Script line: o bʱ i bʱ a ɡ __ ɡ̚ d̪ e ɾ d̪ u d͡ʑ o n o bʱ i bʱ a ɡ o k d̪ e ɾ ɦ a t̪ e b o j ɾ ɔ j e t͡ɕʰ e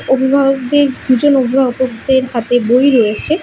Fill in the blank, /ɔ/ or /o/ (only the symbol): o